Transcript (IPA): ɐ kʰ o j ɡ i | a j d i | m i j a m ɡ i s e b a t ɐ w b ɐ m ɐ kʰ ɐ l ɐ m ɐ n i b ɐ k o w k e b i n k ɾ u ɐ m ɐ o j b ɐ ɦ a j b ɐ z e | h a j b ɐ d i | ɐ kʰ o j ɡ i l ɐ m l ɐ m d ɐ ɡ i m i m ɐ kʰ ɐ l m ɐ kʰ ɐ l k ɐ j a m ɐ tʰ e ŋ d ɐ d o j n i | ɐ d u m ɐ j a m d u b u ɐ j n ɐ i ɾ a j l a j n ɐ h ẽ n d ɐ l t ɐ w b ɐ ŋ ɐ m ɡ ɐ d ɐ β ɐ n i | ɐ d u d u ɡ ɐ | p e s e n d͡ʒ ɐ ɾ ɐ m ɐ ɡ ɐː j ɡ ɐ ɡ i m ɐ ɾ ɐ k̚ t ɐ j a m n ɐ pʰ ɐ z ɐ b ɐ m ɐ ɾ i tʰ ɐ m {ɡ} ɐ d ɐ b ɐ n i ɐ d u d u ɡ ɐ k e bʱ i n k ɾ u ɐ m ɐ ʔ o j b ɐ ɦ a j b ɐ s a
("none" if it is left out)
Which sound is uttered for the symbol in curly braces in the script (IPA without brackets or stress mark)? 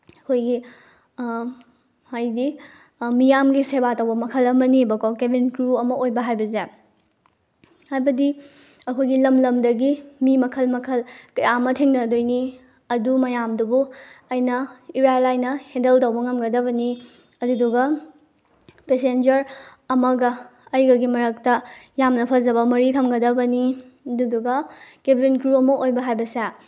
ɡ